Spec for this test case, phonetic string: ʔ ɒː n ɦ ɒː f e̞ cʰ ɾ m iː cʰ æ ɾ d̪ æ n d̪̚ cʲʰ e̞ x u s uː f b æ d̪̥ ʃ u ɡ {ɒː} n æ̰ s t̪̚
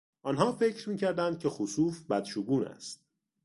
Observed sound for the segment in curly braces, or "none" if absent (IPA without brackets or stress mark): uː